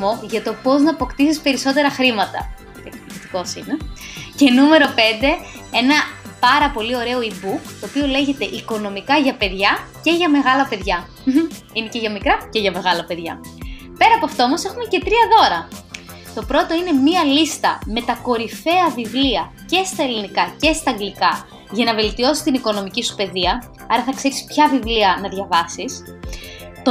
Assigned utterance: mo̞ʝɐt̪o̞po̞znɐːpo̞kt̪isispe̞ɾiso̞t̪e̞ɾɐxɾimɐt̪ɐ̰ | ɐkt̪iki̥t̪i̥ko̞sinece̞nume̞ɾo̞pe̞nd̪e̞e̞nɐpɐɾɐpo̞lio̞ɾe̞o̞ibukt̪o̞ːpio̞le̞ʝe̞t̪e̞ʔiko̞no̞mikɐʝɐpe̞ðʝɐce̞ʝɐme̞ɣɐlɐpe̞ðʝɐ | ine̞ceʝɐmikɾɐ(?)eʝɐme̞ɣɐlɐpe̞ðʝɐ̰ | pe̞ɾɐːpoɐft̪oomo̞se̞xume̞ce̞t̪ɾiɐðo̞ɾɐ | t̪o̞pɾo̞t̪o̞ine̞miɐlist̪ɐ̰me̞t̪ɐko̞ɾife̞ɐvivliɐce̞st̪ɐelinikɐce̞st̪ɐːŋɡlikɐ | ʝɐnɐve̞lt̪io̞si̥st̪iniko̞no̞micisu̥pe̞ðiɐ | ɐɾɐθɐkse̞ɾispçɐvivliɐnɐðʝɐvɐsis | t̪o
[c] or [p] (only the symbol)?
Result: c